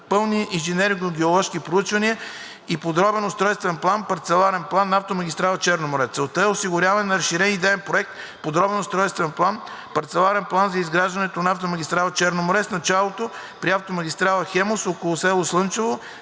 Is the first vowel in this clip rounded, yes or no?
no